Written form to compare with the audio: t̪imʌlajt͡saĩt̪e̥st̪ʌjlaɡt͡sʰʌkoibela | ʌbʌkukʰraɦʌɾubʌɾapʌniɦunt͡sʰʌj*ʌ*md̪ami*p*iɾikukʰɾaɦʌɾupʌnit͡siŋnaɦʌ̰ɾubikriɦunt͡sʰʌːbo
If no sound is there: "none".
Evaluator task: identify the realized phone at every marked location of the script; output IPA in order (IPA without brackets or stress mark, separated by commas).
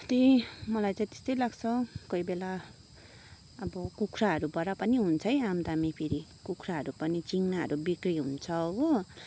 a, pʰ